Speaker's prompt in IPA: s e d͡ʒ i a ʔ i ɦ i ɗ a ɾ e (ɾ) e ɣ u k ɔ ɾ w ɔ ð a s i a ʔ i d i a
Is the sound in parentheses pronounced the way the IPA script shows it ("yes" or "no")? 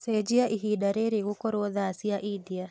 yes